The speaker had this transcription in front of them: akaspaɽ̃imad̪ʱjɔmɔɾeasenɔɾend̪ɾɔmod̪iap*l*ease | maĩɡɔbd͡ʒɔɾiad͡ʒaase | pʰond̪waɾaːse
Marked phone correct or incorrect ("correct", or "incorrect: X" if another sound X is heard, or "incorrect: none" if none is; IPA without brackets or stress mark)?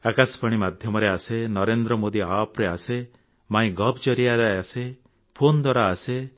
incorrect: ɾ